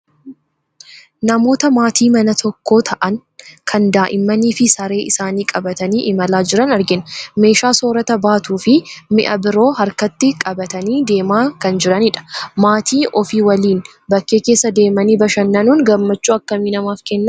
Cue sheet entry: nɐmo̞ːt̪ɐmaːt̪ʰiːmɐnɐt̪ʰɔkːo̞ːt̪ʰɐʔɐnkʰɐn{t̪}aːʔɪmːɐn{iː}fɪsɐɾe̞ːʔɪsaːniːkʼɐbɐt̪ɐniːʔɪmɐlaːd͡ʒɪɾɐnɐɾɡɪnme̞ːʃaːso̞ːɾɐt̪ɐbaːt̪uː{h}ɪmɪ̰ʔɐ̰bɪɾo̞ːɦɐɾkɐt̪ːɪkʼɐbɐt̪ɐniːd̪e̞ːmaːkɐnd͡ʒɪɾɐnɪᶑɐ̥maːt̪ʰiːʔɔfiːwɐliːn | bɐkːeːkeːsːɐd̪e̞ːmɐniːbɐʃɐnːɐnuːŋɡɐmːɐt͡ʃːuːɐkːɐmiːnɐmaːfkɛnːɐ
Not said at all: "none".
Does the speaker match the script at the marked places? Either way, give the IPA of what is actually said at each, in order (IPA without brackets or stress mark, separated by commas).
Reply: d̪, iː, f